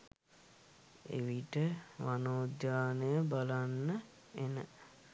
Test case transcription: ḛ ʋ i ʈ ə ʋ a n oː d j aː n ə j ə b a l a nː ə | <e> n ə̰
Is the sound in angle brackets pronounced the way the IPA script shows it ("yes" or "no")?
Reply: yes